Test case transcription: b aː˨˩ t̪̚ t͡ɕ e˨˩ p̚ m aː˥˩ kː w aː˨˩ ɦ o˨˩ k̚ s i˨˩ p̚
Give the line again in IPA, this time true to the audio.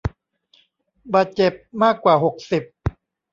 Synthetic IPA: b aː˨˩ t̪̚ t͡ɕ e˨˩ p̚ m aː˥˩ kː w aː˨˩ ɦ o˨˩ k̚ s i˨˩ p̚